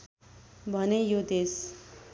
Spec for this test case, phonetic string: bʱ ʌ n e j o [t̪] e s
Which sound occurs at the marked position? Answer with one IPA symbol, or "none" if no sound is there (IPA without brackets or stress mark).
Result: d̪